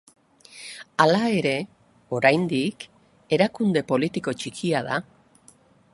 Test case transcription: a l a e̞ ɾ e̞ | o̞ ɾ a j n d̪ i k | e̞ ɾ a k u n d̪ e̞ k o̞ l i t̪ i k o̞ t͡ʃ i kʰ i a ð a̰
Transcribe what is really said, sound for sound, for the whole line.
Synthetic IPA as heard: a l a e̞ ɾ e̞ | o̞ ɾ a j n d̪ i k | e̞ ɾ a k u n d̪ e̞ p o̞ l i t̪ i k o̞ t͡ʃ i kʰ i a ð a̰